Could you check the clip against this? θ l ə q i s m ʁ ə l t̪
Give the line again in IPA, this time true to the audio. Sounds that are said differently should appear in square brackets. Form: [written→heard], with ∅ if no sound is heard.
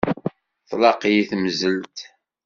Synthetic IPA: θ l [ə→ɑ] q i [s→θ] m [ʁ→z] ə l t̪